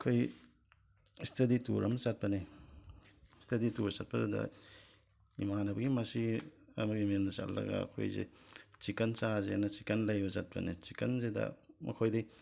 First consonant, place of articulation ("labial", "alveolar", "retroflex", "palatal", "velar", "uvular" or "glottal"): velar